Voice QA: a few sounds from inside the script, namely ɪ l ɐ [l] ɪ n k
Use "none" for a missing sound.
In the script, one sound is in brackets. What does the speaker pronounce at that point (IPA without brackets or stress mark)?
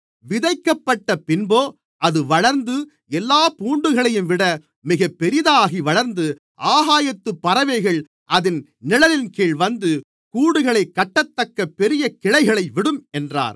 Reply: l